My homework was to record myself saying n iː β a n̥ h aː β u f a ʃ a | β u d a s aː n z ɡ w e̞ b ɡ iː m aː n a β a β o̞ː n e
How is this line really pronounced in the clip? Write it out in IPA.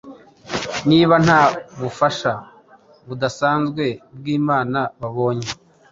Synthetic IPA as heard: n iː β a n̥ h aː β u f a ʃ a | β u d a s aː n z ɡ w e̞ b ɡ iː m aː n a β a β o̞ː ɲ e